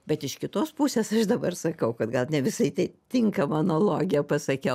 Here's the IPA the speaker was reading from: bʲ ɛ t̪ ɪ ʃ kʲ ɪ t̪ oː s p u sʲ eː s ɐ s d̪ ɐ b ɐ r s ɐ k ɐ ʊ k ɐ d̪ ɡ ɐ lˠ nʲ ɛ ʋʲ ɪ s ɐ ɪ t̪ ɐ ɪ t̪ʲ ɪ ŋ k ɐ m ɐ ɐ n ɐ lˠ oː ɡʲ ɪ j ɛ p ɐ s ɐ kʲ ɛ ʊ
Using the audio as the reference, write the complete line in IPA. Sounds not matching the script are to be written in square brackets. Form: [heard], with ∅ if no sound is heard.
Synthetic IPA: bʲ ɛ t̪ ɪ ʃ kʲ ɪ t̪ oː s p u sʲ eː s ɐ [ʃ] d̪ ɐ b ɐ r s ɐ k ɐ ʊ k ɐ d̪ ɡ ɐ lˠ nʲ ɛ ʋʲ ɪ s ɐ ɪ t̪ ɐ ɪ t̪ʲ ɪ ŋ k ɐ m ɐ ɐ n ɐ lˠ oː ɡʲ ɪ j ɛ p ɐ s ɐ kʲ ɛ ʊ